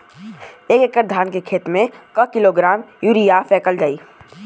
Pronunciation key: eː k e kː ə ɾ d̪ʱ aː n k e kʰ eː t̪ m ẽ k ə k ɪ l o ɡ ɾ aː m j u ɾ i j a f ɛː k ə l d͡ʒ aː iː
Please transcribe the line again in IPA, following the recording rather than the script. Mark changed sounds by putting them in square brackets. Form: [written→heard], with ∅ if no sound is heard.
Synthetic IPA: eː k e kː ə ɾ d̪ʱ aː n k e kʰ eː t̪ m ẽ k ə k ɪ l o ɡ ɾ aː m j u ɾ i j a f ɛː k ə l d͡ʒ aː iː